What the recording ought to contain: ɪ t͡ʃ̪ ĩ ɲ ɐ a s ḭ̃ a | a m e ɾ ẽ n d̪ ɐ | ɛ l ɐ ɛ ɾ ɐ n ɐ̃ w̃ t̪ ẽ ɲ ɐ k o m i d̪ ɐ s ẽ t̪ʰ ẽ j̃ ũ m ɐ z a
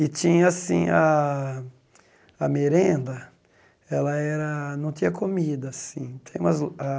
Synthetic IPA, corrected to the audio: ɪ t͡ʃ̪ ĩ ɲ ɐ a s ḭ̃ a | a m e ɾ ẽ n d̪ ɐ | ɛ l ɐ ɛ ɾ ɐ n ɐ̃ w̃ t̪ ĩ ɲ ɐ k o m i d̪ ɐ s ĩ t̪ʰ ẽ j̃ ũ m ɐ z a